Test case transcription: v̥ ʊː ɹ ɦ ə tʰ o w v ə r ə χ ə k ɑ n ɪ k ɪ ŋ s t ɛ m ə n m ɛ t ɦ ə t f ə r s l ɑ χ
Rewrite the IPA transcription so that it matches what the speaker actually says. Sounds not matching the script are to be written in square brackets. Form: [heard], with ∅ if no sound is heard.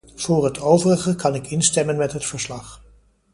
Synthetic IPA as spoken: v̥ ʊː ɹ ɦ ə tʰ o w v ə r ə χ ə k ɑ n ɪ k ɪ [n] s t ɛ m ə n m ɛ t ɦ ə t f ə [ɹ] s l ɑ χ